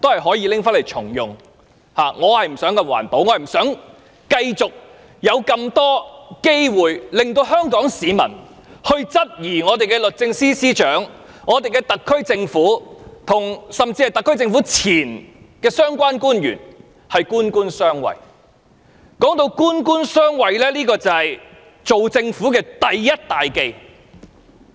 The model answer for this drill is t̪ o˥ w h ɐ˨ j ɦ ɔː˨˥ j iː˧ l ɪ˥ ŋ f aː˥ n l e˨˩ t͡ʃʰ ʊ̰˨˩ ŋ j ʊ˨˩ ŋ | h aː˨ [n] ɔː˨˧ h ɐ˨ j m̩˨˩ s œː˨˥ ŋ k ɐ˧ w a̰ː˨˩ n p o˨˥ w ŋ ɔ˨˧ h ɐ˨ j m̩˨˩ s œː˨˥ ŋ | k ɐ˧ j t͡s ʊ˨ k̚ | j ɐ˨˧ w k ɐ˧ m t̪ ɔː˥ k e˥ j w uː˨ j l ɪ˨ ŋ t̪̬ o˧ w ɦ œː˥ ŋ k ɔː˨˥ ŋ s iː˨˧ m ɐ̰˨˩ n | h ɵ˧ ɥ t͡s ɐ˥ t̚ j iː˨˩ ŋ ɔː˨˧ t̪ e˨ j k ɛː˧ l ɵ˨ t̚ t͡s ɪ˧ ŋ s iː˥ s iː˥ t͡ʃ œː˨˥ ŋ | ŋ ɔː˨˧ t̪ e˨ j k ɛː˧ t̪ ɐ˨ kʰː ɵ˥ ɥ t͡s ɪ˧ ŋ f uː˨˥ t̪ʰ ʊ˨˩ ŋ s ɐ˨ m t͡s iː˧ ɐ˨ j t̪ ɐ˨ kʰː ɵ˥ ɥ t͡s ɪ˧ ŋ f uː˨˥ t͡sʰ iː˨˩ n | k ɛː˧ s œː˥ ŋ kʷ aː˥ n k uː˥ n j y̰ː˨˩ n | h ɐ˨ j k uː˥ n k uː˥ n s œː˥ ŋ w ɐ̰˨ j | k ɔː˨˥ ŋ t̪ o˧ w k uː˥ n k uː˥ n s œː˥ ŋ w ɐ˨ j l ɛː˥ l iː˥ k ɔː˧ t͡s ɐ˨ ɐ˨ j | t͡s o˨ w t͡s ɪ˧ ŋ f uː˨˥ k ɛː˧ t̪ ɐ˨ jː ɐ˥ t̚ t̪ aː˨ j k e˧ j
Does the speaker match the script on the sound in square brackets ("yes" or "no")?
no